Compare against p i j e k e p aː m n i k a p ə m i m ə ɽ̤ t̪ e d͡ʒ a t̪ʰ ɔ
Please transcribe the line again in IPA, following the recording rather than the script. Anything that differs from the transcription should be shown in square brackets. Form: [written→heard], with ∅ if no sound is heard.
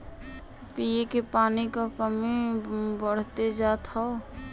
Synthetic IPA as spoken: p i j e k e p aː [m→∅] n i k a p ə m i [m→b] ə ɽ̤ t̪ e d͡ʒ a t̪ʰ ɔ